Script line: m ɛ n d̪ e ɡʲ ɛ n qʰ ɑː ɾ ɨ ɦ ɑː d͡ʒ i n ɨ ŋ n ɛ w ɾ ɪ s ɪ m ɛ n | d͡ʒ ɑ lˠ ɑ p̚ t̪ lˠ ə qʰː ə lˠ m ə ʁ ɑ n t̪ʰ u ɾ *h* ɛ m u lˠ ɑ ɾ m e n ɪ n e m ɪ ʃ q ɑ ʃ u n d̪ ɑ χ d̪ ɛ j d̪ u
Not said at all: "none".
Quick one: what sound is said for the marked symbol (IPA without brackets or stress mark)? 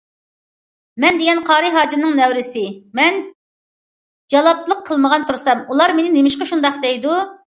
s